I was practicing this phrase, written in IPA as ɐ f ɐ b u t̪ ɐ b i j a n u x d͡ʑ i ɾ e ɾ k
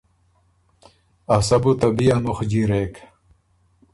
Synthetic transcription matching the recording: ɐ s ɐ b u t̪ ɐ b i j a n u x d͡ʑ i ɾ e k